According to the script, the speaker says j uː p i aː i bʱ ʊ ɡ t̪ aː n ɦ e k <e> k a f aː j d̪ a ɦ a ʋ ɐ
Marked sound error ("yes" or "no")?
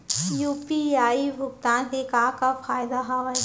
yes